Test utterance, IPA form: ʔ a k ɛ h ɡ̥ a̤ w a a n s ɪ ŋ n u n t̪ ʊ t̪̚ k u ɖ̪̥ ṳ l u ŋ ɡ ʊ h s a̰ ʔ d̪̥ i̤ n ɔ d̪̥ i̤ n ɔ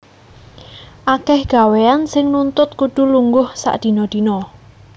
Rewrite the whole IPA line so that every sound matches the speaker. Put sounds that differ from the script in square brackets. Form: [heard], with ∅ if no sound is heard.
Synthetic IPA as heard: ʔ a k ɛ h ɡ̥ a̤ w [e] a n s ɪ ŋ n u n t̪ ʊ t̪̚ k u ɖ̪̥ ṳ l u ŋ ɡ ʊ h s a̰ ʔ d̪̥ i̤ n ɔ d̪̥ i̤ n ɔ